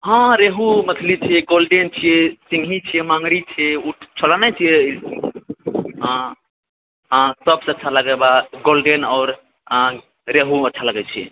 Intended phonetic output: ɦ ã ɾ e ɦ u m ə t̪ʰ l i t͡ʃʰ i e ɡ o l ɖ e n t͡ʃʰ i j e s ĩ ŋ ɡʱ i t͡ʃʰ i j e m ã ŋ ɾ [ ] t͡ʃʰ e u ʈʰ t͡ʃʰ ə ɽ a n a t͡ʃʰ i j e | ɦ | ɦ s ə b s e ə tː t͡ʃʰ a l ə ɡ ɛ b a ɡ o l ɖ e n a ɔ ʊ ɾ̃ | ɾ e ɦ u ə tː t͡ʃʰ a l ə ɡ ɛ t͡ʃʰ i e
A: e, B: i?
B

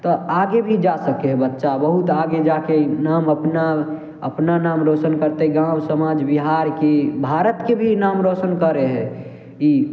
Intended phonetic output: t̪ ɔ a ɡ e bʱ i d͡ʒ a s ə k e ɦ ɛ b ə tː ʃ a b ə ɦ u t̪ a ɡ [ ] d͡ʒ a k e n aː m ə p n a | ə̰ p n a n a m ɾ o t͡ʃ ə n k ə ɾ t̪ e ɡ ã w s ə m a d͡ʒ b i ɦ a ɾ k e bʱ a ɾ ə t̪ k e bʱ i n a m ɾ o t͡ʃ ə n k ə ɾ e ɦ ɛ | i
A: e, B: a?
A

